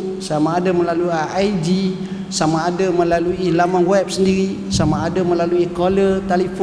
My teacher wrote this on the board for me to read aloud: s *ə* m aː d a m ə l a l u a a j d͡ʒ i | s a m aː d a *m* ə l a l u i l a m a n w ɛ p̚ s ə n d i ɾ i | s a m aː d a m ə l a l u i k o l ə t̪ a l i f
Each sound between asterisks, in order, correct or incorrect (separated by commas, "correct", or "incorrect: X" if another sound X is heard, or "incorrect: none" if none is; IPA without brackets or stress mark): incorrect: a, correct